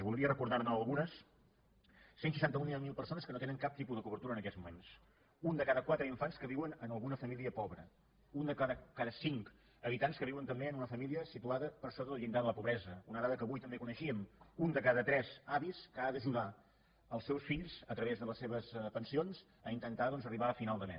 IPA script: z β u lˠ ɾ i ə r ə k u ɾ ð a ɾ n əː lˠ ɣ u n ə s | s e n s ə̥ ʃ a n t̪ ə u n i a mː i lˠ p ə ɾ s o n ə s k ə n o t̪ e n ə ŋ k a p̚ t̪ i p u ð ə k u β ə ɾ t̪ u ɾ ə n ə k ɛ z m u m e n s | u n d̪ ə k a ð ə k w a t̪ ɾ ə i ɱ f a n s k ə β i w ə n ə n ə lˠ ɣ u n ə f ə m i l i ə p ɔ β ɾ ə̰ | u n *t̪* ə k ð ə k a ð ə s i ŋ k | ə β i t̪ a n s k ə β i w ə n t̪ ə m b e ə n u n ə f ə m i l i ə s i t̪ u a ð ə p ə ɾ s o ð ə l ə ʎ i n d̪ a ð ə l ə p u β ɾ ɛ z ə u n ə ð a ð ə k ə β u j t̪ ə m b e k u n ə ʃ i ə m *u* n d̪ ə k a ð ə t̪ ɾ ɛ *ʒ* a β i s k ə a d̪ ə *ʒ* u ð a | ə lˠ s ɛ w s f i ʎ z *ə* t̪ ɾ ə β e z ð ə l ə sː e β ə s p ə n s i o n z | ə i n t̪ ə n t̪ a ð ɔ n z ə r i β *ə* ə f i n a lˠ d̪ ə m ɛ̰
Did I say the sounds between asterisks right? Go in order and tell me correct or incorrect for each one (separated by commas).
incorrect, correct, incorrect, correct, correct, incorrect